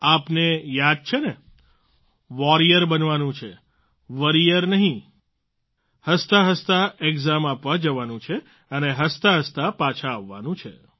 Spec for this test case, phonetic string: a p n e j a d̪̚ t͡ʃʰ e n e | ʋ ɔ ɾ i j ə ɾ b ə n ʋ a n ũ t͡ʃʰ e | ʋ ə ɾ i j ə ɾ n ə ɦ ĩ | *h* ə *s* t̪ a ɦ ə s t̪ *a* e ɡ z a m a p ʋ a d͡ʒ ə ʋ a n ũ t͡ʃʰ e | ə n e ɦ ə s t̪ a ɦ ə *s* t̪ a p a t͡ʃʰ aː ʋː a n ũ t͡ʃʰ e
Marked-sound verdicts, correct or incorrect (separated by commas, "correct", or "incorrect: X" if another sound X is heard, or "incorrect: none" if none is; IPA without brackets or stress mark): correct, correct, correct, correct